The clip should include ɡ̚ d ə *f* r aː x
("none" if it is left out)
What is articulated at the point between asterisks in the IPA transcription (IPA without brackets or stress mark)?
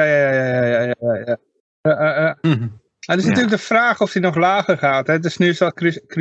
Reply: f